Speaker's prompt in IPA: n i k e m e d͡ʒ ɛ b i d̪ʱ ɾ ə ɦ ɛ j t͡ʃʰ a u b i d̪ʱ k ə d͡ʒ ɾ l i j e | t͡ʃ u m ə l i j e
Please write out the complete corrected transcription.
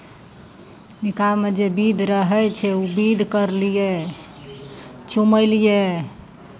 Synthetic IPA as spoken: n i k a m e d͡ʒ e b i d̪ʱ ɾ ə ɦ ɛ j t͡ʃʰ ɛ u b i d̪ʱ k ə ɾ l i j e | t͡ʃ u m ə l i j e